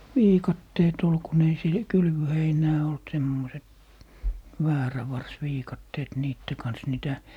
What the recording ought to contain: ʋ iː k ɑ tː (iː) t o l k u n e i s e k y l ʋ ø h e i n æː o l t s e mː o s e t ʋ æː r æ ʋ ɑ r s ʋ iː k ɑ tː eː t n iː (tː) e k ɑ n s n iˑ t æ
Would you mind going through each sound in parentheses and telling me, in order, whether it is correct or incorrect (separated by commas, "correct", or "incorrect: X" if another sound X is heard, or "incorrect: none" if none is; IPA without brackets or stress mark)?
incorrect: eː, correct